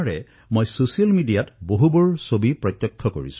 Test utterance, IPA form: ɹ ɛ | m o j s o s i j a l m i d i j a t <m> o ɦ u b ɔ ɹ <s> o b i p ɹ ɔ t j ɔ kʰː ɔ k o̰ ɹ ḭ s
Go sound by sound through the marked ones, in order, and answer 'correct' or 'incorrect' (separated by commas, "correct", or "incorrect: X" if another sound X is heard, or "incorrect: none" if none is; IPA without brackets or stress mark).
incorrect: b, correct